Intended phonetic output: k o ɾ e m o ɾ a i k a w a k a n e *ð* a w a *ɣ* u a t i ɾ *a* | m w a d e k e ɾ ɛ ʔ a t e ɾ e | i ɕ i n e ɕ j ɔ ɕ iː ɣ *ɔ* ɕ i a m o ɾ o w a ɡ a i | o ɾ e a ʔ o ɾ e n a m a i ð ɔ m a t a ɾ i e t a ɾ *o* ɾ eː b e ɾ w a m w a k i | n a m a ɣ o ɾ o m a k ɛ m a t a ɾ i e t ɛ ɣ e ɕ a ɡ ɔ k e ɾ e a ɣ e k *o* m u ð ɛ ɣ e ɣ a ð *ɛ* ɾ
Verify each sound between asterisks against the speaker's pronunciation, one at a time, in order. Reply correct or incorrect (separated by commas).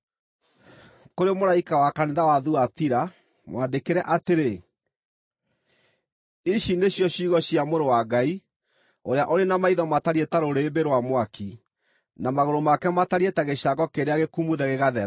correct, incorrect, correct, correct, correct, incorrect, correct